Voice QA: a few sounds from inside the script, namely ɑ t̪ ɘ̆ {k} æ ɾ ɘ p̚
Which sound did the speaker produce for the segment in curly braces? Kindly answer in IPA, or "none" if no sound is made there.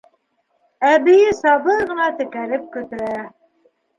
k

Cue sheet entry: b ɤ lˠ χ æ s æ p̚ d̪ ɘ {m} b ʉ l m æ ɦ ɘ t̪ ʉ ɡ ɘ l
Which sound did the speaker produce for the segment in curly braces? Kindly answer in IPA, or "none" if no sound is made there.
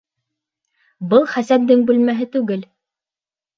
ŋ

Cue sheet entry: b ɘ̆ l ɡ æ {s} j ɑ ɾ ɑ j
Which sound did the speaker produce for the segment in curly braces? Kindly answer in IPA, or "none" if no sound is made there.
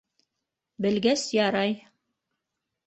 s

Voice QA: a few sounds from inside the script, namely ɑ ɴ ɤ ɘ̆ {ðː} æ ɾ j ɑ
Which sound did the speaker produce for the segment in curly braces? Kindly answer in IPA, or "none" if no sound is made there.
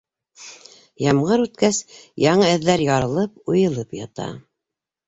ðː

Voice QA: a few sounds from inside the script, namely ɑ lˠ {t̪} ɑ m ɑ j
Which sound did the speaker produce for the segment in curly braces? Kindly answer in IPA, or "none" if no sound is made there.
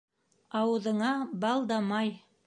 d̪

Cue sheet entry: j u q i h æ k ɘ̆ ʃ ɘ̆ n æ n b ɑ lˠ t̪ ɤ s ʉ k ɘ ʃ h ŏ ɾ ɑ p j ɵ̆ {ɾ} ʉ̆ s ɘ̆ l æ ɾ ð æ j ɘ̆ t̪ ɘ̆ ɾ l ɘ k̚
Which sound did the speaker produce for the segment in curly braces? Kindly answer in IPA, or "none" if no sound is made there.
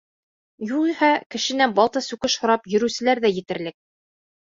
ɾ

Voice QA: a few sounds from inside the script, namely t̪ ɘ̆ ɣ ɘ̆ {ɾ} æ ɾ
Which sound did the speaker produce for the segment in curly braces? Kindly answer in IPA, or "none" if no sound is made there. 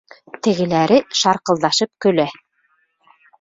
l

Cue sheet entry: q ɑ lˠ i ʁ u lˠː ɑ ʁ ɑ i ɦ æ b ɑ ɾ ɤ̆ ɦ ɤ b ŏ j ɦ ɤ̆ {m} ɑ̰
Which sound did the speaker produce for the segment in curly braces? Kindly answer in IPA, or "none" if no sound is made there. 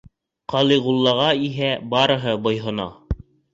n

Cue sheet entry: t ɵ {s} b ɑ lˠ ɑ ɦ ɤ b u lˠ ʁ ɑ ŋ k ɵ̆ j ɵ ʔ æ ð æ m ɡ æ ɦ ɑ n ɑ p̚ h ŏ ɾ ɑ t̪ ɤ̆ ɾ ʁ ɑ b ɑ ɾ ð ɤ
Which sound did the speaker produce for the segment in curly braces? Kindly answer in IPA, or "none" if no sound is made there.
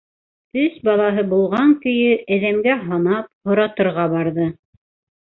s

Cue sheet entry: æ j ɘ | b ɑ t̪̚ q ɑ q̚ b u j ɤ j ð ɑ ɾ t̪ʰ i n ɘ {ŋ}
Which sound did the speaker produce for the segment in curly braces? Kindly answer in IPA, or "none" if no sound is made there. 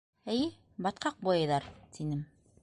m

